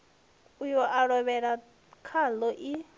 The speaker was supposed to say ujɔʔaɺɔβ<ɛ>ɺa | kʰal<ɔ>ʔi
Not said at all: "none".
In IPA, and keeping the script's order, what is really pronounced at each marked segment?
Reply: ɛ, ɔ

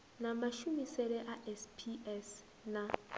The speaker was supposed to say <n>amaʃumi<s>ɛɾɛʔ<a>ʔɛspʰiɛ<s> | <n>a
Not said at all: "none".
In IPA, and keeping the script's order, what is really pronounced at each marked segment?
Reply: n, s, a, s, n

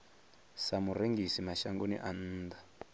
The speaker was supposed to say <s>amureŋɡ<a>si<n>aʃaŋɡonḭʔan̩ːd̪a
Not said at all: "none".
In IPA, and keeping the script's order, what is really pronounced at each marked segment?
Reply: s, i, m

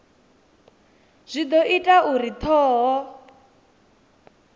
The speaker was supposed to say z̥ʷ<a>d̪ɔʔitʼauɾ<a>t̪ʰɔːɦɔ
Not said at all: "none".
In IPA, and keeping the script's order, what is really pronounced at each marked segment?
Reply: i, i

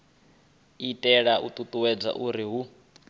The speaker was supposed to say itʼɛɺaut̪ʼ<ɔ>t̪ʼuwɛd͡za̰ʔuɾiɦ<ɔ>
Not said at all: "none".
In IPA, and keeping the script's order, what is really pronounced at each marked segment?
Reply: u, u

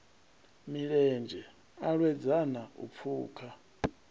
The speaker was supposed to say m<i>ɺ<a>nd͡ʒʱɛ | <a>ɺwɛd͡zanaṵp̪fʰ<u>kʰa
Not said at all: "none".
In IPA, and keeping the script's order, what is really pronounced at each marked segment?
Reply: i, ɛ, a, uː

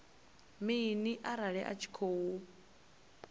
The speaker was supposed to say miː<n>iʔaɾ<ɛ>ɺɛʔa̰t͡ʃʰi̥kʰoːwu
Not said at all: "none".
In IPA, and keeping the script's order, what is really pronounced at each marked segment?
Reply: n, a

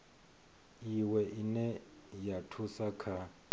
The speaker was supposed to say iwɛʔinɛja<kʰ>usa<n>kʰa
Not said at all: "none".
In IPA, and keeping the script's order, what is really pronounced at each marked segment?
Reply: tʰ, none

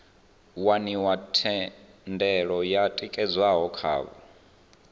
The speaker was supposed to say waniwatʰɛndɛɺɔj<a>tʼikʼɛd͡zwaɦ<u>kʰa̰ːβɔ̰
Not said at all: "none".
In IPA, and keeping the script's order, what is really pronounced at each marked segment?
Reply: a, ɔ

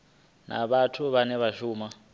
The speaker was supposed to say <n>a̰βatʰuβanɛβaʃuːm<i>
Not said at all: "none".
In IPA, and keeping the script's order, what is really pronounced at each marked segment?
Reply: n, a

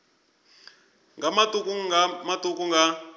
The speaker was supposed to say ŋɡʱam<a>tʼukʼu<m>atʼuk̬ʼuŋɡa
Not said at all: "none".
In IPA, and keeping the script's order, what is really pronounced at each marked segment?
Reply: a, m

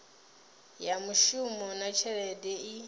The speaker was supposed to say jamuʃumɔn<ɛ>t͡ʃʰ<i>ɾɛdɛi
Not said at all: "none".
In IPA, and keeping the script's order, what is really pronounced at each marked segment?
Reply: a, ɛ

